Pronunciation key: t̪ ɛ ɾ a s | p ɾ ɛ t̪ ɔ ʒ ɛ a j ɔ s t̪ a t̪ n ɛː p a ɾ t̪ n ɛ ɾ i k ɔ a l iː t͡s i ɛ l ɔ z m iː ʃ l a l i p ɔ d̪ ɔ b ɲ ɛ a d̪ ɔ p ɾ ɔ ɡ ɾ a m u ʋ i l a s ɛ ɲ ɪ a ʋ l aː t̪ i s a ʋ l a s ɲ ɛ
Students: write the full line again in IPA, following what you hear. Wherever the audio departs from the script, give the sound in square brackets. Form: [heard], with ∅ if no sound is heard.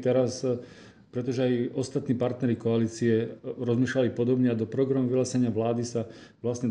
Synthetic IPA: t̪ ɛ ɾ a s | p ɾ ɛ t̪ ɔ ʒ ɛ a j ɔ s t̪ a t̪ n [iː] p a ɾ t̪ n ɛ ɾ i k ɔ a l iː t͡s i ɛ [ɾ] ɔ z m iː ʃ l a l i p ɔ d̪ ɔ b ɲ ɛ a d̪ ɔ p ɾ ɔ ɡ ɾ a m u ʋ i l a s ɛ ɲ ɪ a ʋ l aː [d̪] i s a ʋ l a s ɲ ɛ